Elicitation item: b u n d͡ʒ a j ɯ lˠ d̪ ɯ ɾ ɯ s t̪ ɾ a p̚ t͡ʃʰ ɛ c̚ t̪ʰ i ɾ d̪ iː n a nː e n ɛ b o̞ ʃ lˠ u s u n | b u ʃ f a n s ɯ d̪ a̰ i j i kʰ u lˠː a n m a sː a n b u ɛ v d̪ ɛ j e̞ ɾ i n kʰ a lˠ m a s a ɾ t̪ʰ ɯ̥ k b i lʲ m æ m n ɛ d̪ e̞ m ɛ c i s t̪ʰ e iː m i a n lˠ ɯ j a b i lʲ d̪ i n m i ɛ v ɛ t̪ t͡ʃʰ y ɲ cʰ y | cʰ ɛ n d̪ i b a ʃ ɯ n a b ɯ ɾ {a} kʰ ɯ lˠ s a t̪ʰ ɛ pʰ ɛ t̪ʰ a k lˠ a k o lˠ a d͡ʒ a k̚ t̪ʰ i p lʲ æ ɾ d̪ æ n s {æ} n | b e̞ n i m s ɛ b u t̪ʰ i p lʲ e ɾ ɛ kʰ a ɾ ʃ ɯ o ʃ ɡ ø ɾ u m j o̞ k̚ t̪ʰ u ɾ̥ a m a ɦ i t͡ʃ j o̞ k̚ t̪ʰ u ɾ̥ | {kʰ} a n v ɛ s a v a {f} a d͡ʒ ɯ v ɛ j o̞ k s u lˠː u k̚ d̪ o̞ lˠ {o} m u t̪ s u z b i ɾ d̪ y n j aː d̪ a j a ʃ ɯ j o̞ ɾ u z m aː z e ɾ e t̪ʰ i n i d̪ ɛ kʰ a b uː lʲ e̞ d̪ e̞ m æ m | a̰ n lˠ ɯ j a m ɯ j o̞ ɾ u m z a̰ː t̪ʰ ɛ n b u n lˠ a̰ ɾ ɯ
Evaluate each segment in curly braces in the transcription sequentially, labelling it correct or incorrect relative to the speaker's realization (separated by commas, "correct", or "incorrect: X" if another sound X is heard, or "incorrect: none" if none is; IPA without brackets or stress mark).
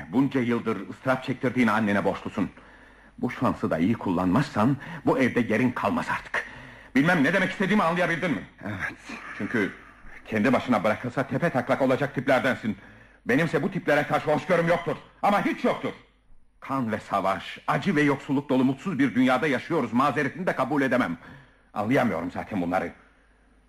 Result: correct, incorrect: i, correct, incorrect: ʃ, incorrect: u